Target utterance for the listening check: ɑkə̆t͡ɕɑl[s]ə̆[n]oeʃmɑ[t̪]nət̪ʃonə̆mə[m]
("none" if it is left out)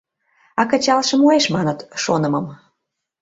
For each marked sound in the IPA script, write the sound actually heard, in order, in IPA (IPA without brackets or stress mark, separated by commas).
ʃ, m, none, m